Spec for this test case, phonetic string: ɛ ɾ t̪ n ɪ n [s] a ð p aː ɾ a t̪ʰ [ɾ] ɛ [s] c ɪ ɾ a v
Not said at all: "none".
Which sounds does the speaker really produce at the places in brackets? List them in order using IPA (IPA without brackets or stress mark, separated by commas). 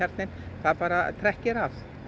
θ, ɾ, h